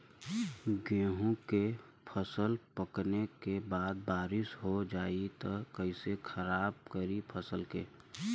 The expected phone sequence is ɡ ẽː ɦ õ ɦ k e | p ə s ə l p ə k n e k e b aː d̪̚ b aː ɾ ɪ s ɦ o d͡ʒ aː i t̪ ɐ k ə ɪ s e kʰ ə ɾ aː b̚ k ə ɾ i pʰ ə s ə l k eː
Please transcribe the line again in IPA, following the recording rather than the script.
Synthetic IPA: ɡ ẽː ɦ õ k e | pʰ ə s ə l p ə k n e k e b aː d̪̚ b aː ɾ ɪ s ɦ o d͡ʒ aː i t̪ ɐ k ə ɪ s e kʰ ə ɾ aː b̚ k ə ɾ i pʰ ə s ə l k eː